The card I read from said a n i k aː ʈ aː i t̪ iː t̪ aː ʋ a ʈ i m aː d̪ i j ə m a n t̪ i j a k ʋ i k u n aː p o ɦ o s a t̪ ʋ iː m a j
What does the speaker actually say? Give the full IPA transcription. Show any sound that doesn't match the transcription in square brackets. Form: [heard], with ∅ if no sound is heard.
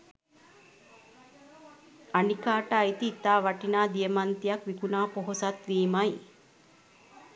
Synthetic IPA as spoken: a n i k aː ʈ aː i t̪ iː t̪ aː ʋ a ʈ i [n] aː d̪ i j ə m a n t̪ i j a k ʋ i k u n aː p o ɦ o s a t̪ ʋ iː m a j